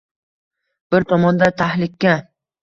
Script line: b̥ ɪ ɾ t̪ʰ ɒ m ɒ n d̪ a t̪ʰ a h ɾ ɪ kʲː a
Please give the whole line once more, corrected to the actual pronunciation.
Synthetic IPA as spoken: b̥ ɪ ɾ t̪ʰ ɒ m ɒ n d̪ a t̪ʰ a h l ɪ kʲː a

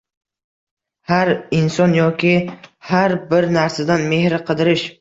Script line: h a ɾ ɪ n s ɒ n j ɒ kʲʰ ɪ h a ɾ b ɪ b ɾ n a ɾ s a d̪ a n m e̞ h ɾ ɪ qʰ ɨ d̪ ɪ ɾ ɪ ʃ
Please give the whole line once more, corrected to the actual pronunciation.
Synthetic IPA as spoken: h a ɾ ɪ n s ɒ n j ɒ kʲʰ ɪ h a ɾ b ɪ ɾ n a ɾ s a d̪ a n m e̞ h ɾ ɪ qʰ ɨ d̪ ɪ ɾ ɪ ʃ

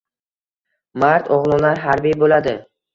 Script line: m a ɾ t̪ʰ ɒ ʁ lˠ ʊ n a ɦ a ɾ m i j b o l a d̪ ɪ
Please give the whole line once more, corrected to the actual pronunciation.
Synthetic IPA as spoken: m a ɾ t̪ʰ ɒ ʁ lˠ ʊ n a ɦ a ɾ b i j b o l a d̪ ɪ

